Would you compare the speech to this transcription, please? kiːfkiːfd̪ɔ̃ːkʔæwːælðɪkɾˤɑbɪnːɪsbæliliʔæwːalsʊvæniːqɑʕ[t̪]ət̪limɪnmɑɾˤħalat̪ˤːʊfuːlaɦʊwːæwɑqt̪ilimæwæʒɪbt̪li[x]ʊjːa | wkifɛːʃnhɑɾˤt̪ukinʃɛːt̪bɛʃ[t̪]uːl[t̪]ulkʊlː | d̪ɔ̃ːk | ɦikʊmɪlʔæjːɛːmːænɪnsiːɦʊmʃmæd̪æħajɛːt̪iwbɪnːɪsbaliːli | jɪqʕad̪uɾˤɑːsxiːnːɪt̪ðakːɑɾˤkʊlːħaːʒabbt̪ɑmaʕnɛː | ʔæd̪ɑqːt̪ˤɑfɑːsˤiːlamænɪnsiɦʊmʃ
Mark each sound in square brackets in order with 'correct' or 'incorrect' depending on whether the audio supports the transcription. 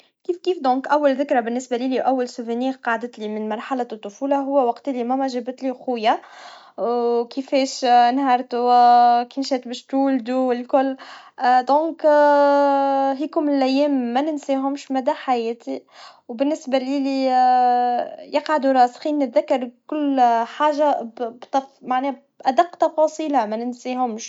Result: incorrect: d̪, correct, correct, incorrect: d̪

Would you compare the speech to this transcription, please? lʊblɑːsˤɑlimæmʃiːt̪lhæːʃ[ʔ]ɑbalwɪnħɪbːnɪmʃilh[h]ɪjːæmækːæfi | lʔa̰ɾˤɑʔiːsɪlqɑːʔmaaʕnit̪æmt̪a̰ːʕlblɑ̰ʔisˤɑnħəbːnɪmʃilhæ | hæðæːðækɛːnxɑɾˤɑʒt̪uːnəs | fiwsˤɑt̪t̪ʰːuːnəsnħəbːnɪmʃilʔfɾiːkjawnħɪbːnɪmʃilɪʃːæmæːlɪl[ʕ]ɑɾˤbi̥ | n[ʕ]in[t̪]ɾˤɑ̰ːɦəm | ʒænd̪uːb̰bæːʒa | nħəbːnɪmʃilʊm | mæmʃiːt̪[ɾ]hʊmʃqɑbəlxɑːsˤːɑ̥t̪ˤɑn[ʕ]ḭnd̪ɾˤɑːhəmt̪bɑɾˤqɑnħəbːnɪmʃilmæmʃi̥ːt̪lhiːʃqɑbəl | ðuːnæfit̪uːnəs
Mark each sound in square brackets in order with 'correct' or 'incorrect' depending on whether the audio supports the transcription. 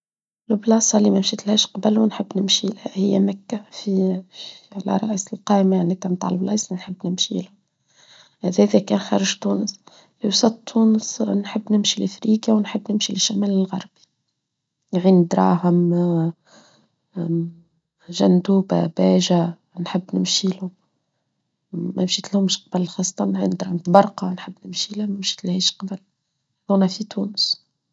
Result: incorrect: q, correct, incorrect: ɣ, correct, incorrect: d̪, incorrect: l, correct

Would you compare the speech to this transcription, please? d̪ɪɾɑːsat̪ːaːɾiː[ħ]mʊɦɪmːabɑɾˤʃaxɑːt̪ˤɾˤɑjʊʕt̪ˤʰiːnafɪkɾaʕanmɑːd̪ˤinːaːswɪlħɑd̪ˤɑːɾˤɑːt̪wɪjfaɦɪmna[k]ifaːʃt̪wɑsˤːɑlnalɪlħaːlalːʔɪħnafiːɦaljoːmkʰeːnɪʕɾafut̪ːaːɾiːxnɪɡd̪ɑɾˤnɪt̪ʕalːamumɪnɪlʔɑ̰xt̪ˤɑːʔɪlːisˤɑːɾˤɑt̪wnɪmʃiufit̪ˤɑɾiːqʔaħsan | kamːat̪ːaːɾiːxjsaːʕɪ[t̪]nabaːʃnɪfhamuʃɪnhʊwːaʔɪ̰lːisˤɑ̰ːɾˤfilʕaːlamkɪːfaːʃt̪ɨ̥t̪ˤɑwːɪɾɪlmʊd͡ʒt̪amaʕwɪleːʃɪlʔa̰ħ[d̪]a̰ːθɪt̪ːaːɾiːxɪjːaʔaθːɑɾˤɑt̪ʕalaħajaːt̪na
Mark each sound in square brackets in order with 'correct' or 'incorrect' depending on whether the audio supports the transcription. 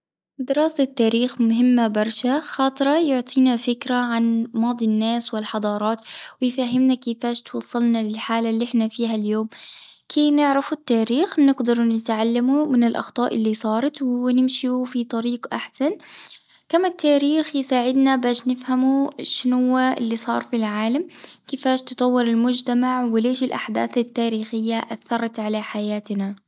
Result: incorrect: x, correct, incorrect: d̪, correct

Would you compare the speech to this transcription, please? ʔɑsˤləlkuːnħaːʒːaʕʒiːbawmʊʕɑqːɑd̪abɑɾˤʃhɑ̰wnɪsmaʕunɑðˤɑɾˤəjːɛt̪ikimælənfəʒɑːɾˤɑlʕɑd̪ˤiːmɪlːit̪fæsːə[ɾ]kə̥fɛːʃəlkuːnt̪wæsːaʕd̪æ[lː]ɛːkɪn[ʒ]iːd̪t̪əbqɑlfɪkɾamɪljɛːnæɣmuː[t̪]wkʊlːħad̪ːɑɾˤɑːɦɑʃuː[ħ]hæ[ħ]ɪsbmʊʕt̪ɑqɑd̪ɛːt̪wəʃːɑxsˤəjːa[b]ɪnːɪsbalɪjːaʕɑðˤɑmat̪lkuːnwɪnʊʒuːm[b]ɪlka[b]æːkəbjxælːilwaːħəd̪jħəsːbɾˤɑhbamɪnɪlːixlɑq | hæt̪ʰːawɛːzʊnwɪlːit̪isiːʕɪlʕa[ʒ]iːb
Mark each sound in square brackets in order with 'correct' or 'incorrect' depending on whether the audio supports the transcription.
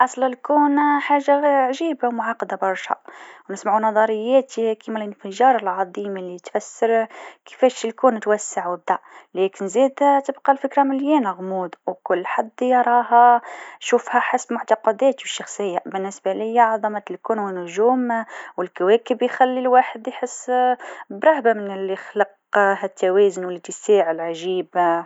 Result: correct, incorrect: l, incorrect: z, incorrect: d̪, incorrect: f, correct, correct, incorrect: w, incorrect: w, correct

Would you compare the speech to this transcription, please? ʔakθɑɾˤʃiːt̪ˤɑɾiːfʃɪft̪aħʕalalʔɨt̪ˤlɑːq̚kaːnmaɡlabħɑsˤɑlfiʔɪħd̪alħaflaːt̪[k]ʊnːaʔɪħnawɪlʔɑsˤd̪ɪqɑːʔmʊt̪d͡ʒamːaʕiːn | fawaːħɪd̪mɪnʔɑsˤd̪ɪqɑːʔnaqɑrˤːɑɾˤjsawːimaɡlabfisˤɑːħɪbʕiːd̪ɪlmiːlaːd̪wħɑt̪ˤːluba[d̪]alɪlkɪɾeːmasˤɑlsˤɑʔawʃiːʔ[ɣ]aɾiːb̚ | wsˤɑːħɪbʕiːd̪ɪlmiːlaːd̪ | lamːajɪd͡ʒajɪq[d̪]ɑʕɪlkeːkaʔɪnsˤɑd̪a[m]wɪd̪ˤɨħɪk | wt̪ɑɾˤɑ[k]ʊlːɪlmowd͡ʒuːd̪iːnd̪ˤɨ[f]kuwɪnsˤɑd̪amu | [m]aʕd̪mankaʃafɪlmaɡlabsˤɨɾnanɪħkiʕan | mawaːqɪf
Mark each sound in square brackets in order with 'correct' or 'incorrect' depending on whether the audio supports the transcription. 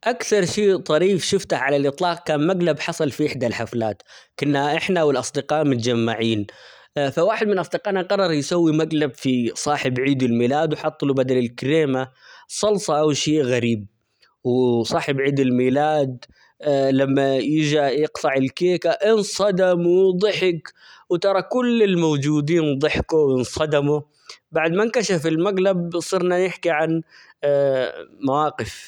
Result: correct, correct, correct, incorrect: t̪, correct, correct, incorrect: ħ, incorrect: b

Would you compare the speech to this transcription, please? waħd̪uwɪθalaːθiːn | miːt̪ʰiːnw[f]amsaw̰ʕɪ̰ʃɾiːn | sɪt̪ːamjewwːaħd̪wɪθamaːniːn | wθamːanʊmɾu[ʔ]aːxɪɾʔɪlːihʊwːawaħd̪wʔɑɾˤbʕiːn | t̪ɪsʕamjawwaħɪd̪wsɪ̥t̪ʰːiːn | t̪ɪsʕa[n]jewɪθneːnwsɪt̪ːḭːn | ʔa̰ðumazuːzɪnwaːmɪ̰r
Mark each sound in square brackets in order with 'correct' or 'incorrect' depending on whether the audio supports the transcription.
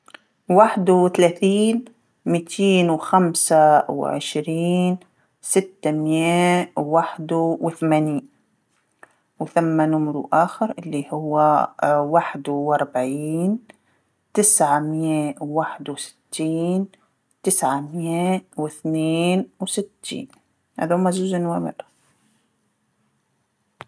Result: incorrect: x, correct, incorrect: m

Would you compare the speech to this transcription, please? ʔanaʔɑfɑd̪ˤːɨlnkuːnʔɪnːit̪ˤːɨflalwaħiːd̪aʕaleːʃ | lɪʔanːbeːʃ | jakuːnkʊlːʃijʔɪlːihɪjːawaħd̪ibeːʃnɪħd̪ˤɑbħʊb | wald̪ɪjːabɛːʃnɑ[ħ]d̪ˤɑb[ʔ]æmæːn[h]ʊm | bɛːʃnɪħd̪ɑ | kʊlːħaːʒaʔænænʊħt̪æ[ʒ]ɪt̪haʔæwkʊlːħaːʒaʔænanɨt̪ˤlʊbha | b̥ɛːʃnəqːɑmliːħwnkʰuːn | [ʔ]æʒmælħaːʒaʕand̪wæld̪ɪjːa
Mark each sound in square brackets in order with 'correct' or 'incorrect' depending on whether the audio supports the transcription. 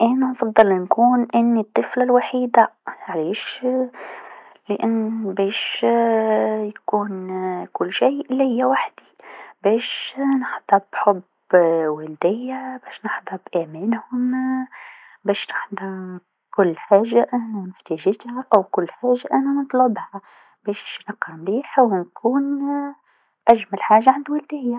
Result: correct, correct, correct, correct, correct

